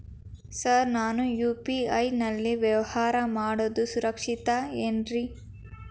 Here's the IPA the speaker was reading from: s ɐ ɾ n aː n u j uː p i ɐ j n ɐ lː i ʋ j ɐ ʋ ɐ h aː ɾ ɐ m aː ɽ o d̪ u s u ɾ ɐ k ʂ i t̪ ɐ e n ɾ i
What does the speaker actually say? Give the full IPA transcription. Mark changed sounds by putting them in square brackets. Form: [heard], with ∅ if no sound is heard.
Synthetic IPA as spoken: s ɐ ɾ n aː n u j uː p i ɐ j n ɐ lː i ʋ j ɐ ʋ ɐ h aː ɾ ɐ m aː ɽ o d̪ u s u ɾ ɐ k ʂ i t̪ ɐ e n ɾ i